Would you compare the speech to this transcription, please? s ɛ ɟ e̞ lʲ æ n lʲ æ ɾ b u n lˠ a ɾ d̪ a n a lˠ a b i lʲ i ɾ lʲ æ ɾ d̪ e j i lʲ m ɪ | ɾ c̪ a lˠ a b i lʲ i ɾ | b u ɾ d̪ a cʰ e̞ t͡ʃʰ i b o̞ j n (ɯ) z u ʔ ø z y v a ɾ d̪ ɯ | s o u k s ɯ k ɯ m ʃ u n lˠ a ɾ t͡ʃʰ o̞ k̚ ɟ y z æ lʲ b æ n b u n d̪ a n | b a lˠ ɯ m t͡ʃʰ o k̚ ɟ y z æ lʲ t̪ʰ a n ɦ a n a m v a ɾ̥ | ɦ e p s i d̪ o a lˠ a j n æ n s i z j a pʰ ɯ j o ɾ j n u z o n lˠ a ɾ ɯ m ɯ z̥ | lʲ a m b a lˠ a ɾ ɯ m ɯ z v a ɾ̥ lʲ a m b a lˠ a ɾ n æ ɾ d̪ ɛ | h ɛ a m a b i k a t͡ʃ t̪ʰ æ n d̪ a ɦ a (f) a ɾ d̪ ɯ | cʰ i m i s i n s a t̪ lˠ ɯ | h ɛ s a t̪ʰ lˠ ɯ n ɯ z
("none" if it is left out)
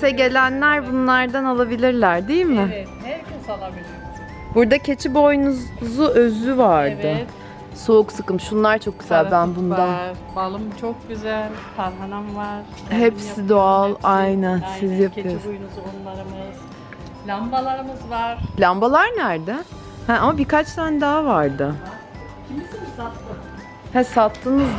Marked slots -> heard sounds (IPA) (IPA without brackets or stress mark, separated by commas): u, v